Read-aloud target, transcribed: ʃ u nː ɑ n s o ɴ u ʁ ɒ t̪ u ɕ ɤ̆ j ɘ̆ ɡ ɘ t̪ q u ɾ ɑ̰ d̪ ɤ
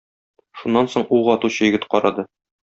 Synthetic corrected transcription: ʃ u nː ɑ n s o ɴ u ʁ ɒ t̪ u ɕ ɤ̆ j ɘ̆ ɡ ɘ t̪ q ɒ ɾ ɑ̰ d̪ ɤ